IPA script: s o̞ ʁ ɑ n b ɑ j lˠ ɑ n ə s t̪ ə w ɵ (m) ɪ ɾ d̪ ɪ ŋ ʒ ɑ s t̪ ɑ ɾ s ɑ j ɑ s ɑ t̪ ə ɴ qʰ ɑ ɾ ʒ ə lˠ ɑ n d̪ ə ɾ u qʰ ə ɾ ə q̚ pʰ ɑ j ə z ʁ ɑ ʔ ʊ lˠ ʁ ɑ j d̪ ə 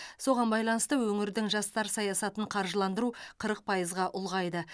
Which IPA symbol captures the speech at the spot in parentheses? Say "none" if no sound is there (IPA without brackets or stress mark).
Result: ŋ